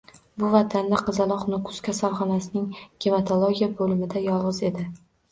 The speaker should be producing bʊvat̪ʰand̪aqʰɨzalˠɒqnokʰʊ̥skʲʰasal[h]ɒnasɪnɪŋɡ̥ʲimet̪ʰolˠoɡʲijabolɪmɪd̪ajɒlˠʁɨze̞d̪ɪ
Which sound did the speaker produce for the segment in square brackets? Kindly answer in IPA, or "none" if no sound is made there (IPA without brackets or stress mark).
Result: χ